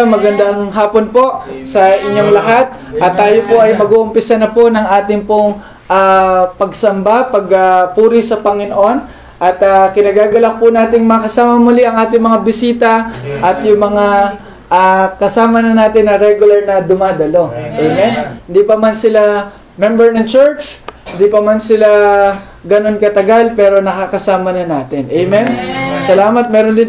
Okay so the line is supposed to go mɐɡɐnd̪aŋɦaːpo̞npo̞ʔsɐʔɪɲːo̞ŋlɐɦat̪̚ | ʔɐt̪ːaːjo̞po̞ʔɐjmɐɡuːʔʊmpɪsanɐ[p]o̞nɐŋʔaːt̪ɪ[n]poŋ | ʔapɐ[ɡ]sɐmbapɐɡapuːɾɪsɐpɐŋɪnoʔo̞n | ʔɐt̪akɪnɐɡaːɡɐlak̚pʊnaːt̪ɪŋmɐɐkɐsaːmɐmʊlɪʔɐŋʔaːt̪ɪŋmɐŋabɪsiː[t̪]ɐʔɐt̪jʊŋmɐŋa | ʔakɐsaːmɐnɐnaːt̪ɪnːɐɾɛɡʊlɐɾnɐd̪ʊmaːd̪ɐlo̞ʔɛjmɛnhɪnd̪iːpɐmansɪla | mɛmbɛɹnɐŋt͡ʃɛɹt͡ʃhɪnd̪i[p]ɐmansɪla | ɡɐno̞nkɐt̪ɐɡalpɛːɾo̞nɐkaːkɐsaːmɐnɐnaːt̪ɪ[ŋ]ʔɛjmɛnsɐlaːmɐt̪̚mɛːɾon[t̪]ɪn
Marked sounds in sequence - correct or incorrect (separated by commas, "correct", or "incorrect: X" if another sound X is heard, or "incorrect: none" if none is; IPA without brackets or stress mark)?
correct, incorrect: ŋ, correct, correct, correct, incorrect: n, incorrect: d̪